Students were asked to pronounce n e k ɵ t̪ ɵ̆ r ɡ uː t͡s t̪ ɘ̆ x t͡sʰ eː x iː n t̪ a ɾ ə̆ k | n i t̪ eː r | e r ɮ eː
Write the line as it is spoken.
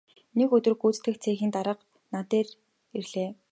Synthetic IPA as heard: n e k ɵ t̪ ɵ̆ r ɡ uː t͡s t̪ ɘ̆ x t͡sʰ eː x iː n t̪ a ɾ ə̆ q | n a t̪ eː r | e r ɮ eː